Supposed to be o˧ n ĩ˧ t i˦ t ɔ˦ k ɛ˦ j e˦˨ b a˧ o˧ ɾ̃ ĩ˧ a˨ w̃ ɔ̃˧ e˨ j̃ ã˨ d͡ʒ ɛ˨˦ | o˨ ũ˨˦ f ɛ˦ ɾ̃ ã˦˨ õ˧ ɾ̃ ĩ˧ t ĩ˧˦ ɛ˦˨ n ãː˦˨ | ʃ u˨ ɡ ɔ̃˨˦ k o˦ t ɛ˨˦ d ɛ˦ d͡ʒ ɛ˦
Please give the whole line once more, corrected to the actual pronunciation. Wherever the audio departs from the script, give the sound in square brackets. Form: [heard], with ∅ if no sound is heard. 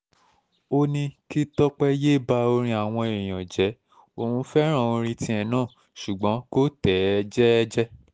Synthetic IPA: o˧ n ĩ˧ [k] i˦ t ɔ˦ [k͡p] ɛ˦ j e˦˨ b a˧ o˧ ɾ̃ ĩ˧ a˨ w̃ ɔ̃˧ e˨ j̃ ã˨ d͡ʒ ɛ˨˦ | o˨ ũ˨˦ f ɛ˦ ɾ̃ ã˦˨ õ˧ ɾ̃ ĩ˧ t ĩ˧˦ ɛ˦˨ n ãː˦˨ | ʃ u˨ [ɡ͡b] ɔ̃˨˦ k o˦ t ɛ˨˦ [d͡ʒ] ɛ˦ d͡ʒ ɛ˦